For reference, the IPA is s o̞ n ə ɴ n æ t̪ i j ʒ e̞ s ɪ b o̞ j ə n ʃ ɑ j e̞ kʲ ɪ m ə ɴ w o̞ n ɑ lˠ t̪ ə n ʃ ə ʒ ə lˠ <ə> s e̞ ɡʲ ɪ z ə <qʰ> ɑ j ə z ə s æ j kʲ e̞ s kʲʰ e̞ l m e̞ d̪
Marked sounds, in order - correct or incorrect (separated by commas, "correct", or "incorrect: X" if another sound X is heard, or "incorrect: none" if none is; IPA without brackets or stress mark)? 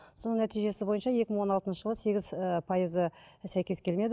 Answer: correct, incorrect: pʰ